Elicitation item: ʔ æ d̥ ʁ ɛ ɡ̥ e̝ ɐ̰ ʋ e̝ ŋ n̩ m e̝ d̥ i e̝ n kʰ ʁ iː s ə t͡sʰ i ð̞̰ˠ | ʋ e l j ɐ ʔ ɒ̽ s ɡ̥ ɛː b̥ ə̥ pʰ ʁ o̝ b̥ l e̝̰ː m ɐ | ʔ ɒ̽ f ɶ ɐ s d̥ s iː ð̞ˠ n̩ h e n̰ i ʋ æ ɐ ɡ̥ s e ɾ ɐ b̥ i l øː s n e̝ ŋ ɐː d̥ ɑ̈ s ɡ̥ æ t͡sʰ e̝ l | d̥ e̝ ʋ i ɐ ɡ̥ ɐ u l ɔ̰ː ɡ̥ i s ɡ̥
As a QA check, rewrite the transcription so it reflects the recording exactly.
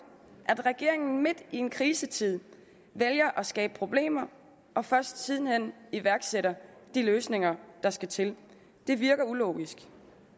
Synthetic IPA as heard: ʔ æ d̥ ʁ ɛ ɡ̥ e̝ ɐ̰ e̝ ŋ n̩ m e̝ d̥ i e̝ n kʰ ʁ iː s ə t͡sʰ i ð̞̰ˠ | ʋ e l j ɐ ʔ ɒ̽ s ɡ̥ ɛː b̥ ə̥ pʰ ʁ o̝ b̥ l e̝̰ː m ɐ | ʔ ɒ̽ f ɶ ɐ s d̥ s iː ð̞ˠ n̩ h e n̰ i ʋ æ ɐ ɡ̥ s e ɾ ɐ d̥ i l øː s n e̝ ŋ ɐ d̥ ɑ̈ s ɡ̥ æ t͡sʰ e̝ l | d̥ e̝ ʋ i ɐ ɡ̥ ɐ u l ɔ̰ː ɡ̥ i s ɡ̥

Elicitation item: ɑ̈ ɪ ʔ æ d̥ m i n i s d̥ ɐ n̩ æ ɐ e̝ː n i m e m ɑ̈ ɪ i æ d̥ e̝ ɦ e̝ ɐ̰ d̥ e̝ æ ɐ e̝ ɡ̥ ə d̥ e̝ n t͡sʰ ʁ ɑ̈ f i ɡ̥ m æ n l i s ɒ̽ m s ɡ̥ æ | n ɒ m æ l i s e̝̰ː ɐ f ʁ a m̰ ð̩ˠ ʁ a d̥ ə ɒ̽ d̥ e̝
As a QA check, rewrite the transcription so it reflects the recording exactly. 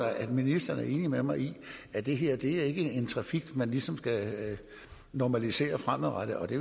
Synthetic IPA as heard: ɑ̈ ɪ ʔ æ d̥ m i n i s d̥ ɐ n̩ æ ɐ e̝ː n i m e m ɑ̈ ɪ i æ d̥ e̝ ɦ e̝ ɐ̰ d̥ e̝ æ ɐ e̝ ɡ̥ ə e̝ n t͡sʰ ʁ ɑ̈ f i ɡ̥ m æ n l i s ɒ̽ m s ɡ̥ æ | n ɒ m æ l i s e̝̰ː ɐ f ʁ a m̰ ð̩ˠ ʁ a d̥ ə ɒ̽ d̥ e̝

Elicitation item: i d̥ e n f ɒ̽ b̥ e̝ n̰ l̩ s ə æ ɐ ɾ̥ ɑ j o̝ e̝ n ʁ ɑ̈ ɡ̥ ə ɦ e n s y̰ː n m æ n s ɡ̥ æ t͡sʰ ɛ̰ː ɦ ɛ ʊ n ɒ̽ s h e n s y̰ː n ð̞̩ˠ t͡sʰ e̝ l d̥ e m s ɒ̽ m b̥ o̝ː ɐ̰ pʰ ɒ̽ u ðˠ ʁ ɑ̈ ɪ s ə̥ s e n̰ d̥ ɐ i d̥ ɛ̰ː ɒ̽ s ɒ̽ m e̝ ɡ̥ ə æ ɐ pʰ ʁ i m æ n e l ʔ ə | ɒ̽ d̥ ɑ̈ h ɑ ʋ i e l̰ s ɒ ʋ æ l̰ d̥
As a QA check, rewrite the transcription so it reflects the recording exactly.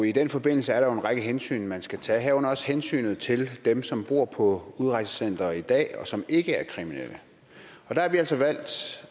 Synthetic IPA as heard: i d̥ e n f ɒ̽ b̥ e̝ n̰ l̩ s ə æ ɐ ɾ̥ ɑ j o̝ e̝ n ʁ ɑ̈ ɡ̥ ə ɦ e n s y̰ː n m æ n s ɡ̥ æ t͡sʰ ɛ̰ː ɦ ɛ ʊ n ɒ̽ s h e n s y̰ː n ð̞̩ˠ t͡sʰ e̝ l d̥ e m s ɒ̽ m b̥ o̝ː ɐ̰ pʰ ɒ̽ u ðˠ ʁ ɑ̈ ɪ s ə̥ s e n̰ d̥ ɐ i d̥ ɛ̰ː ɒ̽ s ɒ̽ m e̝ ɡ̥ ə æ ɐ kʰ ʁ i m i n e l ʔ ə | ɒ̽ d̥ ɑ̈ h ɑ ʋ i æ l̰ s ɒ ʋ æ l̰ d̥

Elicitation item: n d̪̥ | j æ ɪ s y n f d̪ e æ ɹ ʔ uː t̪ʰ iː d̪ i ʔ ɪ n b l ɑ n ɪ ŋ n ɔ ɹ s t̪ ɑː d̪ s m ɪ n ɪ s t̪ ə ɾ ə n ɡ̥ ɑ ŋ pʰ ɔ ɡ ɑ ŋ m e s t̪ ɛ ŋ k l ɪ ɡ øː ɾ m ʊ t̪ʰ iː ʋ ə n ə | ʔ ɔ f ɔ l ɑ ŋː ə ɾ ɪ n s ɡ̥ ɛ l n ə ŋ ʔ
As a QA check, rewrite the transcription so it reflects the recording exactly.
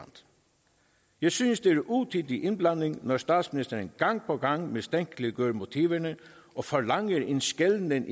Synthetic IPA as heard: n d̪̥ | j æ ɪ s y n s d̪ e æ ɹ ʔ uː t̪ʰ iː d̪ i ʔ ɪ n b l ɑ n ɪ ŋ n ɔ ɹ s t̪ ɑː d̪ s m ɪ n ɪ s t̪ ə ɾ ə n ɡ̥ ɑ ŋ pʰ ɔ ɡ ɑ ŋ m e s t̪ ɛ ŋ k l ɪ ɡ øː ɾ m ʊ t̪ʰ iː ʋ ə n ə | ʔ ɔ f ɔ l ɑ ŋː ə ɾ ɪ n s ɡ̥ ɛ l n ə n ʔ

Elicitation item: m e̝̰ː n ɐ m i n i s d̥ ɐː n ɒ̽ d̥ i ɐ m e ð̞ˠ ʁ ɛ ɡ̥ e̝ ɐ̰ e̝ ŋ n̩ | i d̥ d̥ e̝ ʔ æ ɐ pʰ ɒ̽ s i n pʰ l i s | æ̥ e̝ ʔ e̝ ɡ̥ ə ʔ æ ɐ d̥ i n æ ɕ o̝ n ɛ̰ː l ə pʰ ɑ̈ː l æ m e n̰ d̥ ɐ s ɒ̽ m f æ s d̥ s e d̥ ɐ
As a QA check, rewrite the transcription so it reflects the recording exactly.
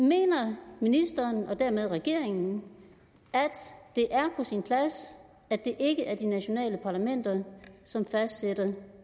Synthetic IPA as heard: m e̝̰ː n ɐ m i n i s d̥ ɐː n ɒ̽ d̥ æ ɐ m e ð̞ˠ ʁ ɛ ɡ̥ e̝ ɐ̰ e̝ ŋ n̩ | æ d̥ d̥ e̝ ʔ æ ɐ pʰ ɒ̽ s i n pʰ l æ s | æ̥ e̝ ʔ e̝ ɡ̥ ə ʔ æ ɐ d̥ i n æ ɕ o̝ n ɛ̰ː l ə pʰ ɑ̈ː l æ m e n̰ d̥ ɐ s ɒ̽ m f æ s d̥ s e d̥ ɐ

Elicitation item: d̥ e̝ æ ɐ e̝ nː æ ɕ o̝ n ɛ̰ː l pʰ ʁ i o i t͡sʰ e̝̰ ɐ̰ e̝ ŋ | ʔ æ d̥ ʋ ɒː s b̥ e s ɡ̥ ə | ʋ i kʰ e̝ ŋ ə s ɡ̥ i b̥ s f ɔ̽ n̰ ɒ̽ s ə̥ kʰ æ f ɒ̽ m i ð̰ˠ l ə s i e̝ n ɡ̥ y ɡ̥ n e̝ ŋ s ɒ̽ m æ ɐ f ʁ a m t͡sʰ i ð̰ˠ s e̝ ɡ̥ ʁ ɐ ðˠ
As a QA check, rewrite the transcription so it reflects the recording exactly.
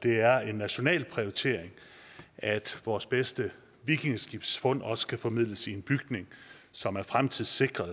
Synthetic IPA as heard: d̥ e̝ æ ɐ e̝ nː æ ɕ o̝ n ɛ̰ː l pʰ ʁ i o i t͡sʰ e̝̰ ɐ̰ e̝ ŋ | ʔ æ d̥ ʋ ɒː s b̥ e s d̥ ə | ʋ i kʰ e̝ ŋ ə s ɡ̥ i b̥ s f ɔ̽ n̰ ɒ̽ s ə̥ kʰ æ f ɒ̽ m i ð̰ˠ l ə s i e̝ n b̥ y ɡ̥ n e̝ ŋ s ɒ̽ m æ ɐ f ʁ a m t͡sʰ i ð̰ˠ s e̝ ɡ̥ ʁ ɐ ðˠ

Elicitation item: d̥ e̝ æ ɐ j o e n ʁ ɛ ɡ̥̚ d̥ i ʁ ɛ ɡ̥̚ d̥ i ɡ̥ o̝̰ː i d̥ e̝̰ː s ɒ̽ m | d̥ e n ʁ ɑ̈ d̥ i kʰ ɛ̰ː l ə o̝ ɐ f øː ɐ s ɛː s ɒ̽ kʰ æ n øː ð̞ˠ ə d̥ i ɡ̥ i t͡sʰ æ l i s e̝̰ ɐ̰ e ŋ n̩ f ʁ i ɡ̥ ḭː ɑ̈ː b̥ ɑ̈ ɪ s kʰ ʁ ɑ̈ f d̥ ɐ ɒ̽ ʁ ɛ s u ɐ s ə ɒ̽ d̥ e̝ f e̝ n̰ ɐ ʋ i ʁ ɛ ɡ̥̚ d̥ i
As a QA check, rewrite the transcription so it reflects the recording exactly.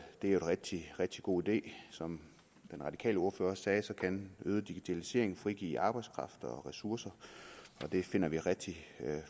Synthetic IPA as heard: d̥ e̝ æ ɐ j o e n ʁ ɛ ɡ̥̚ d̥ i ʁ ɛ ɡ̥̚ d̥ i ɡ̥ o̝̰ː i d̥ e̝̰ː s ɒ̽ m | d̥ e n ʁ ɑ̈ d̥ i kʰ ɛ̰ː l ə o̝ ɐ f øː ɐ s ɛː s ɒ̽ kʰ æ n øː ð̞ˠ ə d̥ i ɡ̥ i t͡sʰ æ l i s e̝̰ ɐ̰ e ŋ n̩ f ʁ i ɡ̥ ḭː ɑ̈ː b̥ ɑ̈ ɪ s kʰ ʁ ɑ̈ f d̥ ɐ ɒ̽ ʁ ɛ s u ɐ s ɐ ɒ̽ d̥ e̝ f e̝ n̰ ɐ ʋ i ʁ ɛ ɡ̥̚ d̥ i

